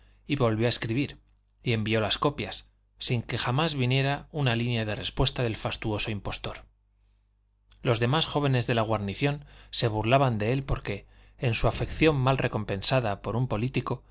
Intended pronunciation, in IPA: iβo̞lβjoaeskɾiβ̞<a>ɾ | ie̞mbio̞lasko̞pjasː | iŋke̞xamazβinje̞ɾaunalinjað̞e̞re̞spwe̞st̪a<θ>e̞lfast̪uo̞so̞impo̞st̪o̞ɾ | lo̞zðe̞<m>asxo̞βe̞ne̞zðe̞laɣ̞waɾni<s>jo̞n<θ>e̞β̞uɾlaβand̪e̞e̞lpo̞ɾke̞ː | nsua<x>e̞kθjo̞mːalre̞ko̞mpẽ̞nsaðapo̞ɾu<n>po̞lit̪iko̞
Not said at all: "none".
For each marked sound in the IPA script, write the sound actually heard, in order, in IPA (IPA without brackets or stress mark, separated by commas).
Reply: i, ð, m, θ, s, f, m